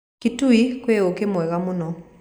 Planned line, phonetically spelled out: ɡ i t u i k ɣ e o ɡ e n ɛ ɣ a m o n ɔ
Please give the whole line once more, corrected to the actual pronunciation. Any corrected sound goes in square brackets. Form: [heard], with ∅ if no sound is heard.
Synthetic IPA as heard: [k] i t u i k [w] e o [k] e [m] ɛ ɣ a m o n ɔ